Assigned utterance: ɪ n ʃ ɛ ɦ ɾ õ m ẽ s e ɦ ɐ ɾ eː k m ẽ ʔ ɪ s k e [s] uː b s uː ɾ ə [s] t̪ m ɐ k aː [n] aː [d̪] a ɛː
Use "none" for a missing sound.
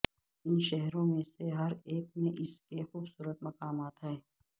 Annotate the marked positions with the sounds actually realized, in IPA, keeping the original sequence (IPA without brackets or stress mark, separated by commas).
x, none, m, t̪